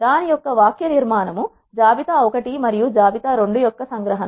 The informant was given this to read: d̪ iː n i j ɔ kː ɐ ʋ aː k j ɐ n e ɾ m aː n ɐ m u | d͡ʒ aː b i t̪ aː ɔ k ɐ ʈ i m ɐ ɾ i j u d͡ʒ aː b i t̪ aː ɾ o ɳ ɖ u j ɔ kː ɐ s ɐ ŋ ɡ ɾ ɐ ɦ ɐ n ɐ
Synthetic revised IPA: d̪ aː n i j ɔ kː ɐ ʋ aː k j ɐ n i ɾ m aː n ɐ m u | d͡ʒ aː b i t̪ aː ɔ k ɐ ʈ i m ɐ ɾ i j u d͡ʒ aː b i t̪ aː ɾ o ɳ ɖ u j ɔ kː ɐ s ɐ ŋ ɡ ɾ ɐ ɦ ɐ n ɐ